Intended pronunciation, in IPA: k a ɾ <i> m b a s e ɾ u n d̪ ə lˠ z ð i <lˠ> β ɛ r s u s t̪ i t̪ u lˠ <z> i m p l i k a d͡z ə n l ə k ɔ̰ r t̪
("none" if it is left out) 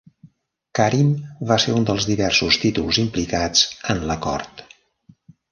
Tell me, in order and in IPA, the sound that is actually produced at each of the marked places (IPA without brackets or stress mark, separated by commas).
i, none, z